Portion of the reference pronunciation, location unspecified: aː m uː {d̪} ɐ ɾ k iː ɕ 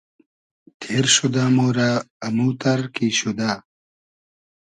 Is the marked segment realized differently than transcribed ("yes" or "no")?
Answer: yes